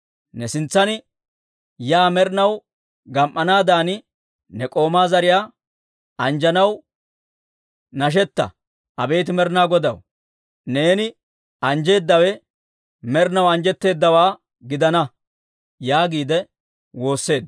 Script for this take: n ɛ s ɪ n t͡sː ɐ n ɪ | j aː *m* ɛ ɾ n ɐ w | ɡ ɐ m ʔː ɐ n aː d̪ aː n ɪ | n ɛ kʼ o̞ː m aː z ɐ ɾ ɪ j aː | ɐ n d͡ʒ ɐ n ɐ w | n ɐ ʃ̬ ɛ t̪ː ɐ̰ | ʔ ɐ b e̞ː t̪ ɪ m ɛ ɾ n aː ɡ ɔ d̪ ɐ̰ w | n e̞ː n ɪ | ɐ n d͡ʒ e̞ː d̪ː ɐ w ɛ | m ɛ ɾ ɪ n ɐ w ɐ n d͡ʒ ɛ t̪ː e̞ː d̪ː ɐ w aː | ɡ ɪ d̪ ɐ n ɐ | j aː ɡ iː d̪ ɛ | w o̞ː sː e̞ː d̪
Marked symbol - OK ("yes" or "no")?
yes